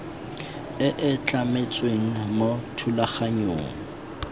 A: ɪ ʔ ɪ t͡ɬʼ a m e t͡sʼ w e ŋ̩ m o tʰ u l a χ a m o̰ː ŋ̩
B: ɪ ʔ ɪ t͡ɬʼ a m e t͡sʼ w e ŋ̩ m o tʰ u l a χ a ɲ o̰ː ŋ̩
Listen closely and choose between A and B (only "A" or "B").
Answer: B